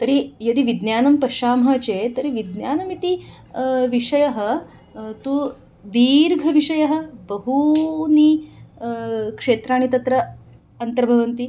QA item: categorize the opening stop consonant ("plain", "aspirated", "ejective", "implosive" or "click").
plain